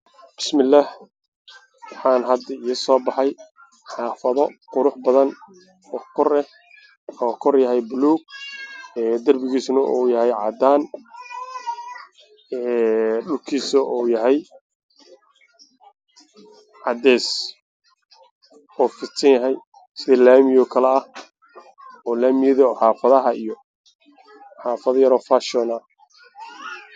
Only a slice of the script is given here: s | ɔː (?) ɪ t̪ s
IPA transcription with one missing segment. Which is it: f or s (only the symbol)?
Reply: f